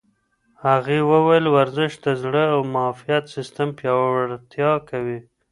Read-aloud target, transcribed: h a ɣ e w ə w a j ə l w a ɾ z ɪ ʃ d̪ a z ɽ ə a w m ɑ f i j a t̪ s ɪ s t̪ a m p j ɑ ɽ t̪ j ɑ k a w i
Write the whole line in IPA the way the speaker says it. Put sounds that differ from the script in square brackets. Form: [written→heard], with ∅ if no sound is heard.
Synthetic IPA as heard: h a ɣ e w ə w a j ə l w a ɾ z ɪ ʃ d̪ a z ɽ ə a w m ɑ f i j a t̪ s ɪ s t̪ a m p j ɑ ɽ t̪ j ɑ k a w i